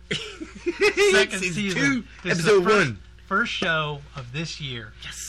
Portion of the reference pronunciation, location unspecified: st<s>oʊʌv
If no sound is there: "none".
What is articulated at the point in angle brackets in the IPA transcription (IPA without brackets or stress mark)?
ʃ